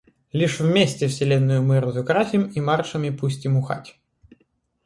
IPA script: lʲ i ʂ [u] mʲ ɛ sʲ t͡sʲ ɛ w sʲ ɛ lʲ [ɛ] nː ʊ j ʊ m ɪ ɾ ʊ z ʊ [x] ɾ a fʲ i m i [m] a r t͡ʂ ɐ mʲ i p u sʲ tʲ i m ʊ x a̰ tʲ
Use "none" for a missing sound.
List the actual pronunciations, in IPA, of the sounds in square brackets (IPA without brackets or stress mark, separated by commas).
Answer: w, ɛ, k, m